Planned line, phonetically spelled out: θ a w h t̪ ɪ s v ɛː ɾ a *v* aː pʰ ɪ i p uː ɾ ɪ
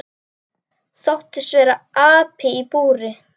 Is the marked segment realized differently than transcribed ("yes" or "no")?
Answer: yes